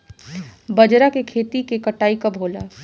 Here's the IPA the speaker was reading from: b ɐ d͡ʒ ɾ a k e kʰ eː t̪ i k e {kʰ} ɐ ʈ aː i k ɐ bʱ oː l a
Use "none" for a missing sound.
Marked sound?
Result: k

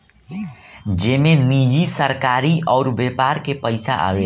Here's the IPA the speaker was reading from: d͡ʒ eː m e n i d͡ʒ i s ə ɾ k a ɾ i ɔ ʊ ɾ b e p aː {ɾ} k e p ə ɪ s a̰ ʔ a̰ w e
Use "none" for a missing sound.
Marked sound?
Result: ɾ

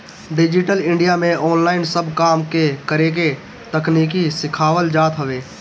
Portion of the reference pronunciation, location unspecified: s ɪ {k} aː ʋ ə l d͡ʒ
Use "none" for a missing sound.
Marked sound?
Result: kʰ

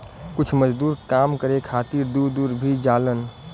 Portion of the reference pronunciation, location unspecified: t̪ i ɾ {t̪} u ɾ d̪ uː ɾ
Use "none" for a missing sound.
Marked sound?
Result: d̪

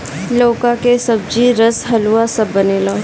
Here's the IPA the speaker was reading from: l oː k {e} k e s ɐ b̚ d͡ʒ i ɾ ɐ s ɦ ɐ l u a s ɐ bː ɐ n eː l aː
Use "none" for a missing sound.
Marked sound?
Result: a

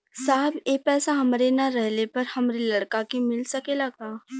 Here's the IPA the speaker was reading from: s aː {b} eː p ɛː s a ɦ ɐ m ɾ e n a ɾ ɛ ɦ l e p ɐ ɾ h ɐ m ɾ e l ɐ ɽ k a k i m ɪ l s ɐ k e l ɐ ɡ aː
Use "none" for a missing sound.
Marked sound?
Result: b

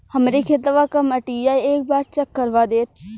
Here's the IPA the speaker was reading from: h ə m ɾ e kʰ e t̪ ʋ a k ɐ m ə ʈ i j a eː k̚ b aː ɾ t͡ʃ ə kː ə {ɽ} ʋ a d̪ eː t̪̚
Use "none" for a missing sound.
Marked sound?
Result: ɾ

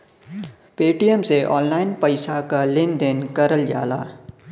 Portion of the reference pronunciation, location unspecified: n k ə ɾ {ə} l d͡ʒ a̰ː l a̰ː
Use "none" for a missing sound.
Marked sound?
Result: ə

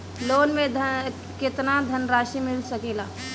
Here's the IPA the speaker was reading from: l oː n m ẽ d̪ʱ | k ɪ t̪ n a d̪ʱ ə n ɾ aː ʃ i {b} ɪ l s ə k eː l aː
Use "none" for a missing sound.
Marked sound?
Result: m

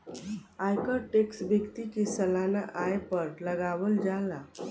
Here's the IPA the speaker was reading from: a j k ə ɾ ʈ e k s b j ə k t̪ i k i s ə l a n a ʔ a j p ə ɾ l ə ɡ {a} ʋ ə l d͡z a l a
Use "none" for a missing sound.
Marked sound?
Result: a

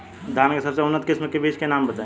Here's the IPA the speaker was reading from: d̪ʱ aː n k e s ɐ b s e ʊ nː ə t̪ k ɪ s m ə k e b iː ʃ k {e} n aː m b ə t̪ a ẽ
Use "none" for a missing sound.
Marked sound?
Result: e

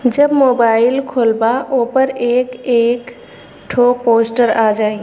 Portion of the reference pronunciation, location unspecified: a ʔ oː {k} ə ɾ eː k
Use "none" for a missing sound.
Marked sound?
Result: p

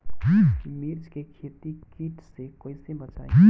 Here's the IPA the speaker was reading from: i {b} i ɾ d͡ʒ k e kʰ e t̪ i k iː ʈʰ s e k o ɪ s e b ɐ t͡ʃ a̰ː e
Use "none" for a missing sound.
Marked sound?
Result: m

